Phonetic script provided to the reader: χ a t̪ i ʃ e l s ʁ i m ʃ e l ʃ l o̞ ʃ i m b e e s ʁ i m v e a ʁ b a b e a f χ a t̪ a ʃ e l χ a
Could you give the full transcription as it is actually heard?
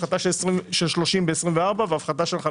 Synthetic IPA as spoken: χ a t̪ a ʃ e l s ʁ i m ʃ e l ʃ l o̞ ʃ i m b e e s ʁ i m v e a ʁ b a v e a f χ a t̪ a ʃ e l χ a